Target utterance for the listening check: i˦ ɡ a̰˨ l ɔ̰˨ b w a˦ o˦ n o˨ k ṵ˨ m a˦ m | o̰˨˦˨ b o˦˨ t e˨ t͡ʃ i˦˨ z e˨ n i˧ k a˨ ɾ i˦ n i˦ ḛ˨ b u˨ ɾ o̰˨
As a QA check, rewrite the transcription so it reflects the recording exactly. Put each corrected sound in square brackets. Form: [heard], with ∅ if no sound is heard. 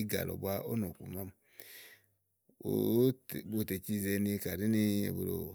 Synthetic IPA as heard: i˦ ɡ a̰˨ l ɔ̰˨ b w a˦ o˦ n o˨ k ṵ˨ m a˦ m | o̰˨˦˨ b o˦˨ t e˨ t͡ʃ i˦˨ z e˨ n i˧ k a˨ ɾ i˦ n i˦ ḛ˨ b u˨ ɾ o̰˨